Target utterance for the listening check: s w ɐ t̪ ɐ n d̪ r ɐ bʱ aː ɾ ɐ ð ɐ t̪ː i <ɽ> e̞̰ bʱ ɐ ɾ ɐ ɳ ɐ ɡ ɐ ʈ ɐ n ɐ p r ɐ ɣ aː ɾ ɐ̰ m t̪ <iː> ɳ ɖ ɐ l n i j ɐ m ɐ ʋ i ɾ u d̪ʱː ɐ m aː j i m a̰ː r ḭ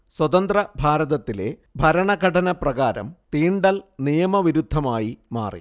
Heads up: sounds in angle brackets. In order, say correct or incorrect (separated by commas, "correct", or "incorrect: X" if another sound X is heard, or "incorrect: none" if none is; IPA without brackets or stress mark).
incorrect: l, correct